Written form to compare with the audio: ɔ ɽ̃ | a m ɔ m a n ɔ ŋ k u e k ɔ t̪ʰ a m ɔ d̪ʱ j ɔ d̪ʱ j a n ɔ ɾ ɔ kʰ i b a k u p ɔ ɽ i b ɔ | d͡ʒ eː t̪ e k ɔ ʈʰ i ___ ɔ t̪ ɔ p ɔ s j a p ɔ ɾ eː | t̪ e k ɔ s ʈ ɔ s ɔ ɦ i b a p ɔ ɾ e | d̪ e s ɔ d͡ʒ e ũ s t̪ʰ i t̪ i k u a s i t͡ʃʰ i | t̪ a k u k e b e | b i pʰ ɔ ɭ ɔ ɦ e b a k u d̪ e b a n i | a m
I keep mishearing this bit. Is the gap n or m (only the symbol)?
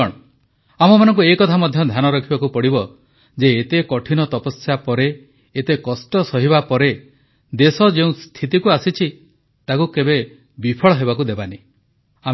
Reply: n